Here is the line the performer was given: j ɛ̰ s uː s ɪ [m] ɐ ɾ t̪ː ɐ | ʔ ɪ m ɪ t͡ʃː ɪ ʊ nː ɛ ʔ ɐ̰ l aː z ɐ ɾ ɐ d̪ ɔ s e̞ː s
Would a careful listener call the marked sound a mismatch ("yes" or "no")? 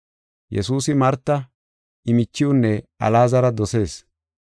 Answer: no